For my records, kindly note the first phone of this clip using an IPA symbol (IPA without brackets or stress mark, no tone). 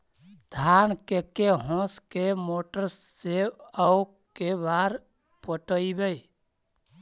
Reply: d̪ʱ